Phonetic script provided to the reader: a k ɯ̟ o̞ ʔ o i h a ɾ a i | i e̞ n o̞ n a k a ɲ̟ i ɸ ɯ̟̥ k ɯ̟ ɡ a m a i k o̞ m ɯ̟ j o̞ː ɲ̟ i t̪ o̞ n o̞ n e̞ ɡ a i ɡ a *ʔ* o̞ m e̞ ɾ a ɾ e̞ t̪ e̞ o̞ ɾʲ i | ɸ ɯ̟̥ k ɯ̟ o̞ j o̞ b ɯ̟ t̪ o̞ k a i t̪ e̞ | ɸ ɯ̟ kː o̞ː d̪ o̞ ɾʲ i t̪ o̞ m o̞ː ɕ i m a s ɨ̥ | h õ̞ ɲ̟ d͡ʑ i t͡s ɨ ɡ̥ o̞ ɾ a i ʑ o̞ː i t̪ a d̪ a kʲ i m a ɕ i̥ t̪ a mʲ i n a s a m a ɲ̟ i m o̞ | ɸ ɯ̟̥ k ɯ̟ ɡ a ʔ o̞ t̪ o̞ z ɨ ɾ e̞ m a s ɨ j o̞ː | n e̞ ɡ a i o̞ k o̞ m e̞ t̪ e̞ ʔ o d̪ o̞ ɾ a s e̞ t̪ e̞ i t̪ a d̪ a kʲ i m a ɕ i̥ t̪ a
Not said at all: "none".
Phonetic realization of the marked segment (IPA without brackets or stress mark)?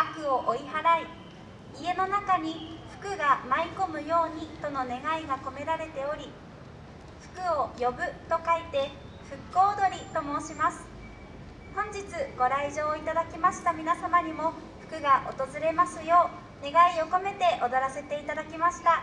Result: k